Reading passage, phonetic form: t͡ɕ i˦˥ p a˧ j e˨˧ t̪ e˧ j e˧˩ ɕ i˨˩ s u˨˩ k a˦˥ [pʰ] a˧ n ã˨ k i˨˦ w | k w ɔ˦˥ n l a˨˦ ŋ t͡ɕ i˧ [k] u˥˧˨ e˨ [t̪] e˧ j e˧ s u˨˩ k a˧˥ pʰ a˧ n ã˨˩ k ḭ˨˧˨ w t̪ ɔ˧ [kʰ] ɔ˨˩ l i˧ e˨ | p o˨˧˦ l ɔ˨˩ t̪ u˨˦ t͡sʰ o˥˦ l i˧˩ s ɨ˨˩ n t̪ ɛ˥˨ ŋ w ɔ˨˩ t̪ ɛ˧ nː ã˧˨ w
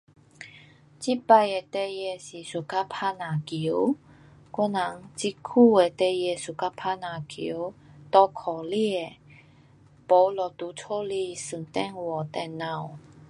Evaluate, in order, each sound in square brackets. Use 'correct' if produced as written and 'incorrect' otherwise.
correct, incorrect, correct, correct

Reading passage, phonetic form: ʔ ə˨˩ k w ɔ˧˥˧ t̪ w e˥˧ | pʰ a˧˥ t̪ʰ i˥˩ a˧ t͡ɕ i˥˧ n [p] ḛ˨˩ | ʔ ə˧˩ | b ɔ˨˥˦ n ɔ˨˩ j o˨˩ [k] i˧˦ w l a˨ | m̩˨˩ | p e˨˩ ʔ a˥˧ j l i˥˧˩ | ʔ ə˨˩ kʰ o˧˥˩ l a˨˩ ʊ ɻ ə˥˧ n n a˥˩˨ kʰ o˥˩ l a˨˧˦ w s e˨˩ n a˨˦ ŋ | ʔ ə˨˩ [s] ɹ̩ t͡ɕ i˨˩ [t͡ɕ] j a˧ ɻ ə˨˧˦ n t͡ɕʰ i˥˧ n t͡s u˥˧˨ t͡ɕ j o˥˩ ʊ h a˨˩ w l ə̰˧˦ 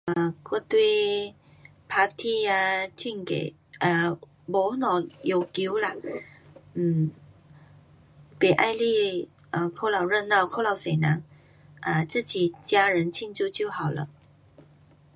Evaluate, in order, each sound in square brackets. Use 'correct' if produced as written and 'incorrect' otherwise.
incorrect, correct, incorrect, correct

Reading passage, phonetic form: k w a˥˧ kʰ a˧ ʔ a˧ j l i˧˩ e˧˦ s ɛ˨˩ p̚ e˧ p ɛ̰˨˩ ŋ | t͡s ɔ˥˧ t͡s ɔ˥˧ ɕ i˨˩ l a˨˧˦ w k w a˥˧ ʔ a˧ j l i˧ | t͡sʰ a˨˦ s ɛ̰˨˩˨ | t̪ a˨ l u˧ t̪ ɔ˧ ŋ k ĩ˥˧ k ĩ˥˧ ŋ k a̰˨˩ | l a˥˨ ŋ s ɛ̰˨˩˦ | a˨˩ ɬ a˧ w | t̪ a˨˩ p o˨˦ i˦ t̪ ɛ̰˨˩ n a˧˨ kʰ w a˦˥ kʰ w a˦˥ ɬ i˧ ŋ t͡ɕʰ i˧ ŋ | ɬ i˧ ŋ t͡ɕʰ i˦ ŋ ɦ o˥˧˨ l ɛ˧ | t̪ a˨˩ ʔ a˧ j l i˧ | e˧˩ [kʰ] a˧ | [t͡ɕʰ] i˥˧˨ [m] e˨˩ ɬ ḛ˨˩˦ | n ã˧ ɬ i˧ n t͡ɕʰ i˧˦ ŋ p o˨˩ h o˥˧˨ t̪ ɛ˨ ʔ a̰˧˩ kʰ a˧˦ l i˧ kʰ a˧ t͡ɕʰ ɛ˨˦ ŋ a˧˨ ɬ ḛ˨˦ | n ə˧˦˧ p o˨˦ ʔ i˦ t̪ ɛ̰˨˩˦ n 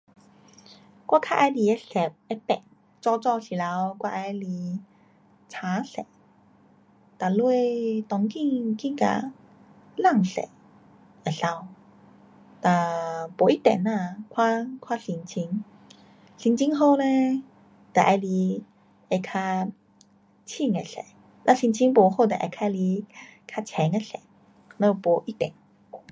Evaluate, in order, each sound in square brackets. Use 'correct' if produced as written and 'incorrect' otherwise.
correct, correct, incorrect

